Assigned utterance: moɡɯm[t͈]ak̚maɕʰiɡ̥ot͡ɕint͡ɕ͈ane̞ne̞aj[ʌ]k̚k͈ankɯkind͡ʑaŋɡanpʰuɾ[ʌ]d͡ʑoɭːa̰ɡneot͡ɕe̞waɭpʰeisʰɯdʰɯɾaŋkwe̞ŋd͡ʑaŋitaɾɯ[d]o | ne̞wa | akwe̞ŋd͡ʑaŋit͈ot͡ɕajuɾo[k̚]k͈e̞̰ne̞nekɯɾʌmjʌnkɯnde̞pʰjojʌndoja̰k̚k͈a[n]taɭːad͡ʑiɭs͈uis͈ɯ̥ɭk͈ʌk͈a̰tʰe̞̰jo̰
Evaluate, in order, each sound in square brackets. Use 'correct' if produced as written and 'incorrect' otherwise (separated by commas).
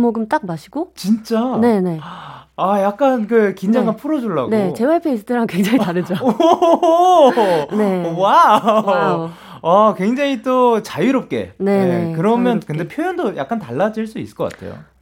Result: correct, incorrect, correct, incorrect, incorrect, correct